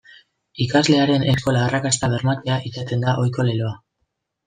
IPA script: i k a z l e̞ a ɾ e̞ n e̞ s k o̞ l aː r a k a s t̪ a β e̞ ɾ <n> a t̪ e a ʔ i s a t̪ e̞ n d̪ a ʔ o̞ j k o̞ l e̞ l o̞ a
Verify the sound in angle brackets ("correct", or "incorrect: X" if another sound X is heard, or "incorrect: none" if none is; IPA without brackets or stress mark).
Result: incorrect: m